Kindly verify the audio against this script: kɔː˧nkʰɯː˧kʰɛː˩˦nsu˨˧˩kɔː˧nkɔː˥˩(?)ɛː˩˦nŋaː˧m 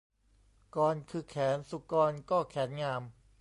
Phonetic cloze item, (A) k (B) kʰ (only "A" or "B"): B